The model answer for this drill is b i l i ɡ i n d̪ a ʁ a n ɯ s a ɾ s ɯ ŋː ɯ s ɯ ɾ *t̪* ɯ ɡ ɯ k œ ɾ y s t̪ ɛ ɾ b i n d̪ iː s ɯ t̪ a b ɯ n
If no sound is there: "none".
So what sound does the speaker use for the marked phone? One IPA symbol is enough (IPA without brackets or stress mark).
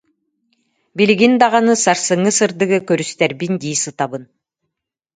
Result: d̪